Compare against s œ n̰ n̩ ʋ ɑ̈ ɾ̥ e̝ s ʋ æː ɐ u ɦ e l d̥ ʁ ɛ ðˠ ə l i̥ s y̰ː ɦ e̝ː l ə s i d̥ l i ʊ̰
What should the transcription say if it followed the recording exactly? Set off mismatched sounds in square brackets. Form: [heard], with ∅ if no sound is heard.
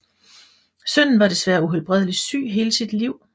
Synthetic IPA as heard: s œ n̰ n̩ ʋ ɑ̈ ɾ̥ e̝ s ʋ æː ɐ u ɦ e l [b̥] ʁ ɛ ðˠ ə l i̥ s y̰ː ɦ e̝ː l ə s i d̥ l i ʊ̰